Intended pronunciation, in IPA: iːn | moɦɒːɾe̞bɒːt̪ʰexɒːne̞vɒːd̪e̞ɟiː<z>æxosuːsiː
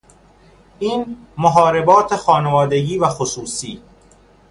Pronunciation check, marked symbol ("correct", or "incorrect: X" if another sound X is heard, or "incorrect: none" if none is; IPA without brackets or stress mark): incorrect: v